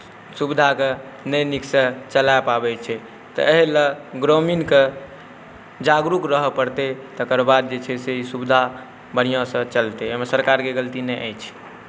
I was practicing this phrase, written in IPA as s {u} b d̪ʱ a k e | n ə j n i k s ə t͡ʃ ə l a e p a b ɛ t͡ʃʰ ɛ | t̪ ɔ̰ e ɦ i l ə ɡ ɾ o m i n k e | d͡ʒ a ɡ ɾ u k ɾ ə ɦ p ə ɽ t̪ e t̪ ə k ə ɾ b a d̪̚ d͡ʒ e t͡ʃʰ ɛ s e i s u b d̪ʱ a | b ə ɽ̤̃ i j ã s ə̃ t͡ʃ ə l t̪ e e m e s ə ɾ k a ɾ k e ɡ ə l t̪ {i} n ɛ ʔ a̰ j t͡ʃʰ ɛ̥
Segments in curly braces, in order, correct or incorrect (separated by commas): correct, correct